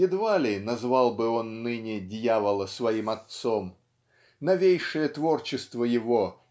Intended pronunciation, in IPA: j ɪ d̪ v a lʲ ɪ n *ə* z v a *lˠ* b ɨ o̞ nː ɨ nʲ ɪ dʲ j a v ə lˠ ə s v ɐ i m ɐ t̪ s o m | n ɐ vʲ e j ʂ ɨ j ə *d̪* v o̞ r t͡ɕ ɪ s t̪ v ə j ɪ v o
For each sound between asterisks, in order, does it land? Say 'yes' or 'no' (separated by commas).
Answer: no, yes, no